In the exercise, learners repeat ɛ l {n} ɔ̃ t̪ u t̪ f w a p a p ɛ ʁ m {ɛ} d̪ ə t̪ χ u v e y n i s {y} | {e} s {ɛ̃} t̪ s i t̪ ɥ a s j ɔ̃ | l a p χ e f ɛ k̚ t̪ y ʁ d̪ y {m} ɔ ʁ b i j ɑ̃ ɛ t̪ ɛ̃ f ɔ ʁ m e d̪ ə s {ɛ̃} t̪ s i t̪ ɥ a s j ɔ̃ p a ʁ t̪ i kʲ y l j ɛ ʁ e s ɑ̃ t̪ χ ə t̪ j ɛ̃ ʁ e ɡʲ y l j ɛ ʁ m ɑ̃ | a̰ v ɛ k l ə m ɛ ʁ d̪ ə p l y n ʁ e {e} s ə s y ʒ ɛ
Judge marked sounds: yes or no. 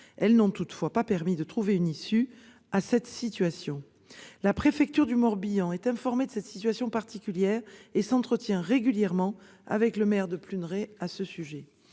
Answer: yes, no, yes, no, no, yes, no, no

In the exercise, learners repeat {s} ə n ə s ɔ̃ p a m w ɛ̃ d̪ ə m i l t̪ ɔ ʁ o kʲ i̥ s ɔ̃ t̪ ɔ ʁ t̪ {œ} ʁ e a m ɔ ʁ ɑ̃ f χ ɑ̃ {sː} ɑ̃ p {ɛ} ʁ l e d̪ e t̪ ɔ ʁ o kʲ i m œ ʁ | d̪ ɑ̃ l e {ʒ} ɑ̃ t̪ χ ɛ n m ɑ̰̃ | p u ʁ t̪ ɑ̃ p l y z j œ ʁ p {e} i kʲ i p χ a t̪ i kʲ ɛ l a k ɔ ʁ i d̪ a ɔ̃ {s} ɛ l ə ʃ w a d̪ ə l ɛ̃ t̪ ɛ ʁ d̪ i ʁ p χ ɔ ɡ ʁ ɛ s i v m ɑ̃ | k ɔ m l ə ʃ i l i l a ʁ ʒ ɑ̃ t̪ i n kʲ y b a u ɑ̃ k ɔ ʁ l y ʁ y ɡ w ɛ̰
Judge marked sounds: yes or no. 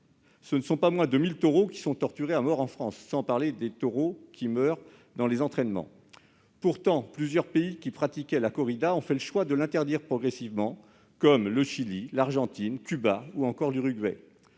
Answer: yes, no, yes, no, no, yes, no

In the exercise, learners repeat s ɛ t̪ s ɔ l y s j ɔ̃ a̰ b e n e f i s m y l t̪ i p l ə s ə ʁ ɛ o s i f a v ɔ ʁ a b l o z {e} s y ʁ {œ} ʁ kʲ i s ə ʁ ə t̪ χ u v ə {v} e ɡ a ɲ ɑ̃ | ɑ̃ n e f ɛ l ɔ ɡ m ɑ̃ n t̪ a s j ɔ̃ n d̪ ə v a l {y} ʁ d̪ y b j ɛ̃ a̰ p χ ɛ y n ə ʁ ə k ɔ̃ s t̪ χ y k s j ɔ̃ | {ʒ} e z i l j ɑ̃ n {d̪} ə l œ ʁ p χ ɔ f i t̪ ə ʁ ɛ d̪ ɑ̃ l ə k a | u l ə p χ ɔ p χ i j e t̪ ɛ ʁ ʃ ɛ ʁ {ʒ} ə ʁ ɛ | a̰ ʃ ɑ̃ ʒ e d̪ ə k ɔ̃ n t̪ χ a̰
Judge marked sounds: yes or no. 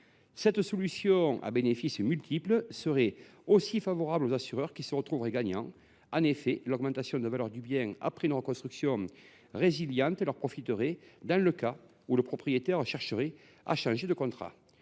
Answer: no, yes, no, no, no, no, no

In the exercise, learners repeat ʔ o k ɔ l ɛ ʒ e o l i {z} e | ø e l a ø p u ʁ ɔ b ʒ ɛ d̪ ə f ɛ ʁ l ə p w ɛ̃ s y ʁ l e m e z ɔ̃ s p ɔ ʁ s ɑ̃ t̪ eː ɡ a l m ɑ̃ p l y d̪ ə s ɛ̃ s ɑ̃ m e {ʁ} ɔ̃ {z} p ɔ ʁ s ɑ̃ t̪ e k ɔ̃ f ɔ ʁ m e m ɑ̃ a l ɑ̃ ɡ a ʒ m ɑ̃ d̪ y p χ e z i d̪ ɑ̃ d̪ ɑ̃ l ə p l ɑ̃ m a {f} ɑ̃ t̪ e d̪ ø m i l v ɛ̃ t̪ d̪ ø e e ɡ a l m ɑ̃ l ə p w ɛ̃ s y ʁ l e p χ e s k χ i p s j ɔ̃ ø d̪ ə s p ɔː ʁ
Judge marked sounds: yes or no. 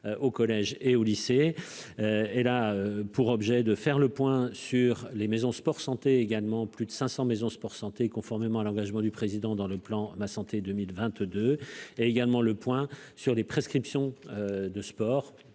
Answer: no, no, no, no

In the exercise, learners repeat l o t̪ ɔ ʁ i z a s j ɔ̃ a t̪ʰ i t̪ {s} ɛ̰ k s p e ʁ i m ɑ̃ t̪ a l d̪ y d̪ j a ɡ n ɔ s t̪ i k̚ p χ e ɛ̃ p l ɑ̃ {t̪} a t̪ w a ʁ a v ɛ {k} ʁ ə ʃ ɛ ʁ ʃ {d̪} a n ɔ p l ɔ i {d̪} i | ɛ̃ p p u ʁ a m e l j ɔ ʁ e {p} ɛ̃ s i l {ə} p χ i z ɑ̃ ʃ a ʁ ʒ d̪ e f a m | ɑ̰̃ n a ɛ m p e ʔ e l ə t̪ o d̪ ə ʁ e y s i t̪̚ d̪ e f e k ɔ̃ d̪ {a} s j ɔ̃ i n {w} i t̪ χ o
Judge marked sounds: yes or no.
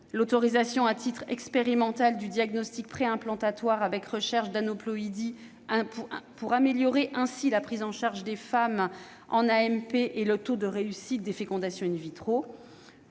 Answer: no, yes, yes, yes, yes, no, no, yes, no

